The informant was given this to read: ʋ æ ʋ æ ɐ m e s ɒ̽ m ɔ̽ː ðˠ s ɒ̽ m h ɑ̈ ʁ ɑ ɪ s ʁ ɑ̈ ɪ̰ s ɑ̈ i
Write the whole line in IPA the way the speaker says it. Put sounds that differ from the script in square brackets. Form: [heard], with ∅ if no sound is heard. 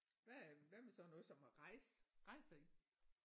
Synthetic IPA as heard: ʋ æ ʋ æ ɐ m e s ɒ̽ [n] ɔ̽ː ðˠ s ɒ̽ m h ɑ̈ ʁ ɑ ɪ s ʁ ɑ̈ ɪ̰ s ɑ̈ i